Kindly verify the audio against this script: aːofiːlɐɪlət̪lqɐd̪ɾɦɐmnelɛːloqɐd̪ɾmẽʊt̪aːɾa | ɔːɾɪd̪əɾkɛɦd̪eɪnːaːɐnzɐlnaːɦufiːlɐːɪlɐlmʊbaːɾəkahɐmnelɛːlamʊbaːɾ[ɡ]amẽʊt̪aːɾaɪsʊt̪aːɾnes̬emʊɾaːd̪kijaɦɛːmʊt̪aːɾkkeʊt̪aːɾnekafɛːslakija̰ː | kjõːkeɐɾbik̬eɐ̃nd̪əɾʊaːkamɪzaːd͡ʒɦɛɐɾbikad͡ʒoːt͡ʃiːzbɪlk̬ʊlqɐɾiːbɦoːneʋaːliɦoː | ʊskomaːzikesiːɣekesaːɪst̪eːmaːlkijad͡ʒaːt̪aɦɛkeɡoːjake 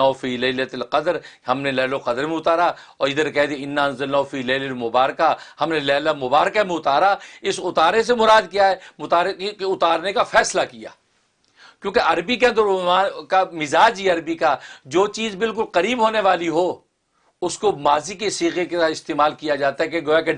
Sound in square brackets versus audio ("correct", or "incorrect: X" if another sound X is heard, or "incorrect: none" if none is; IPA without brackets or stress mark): incorrect: k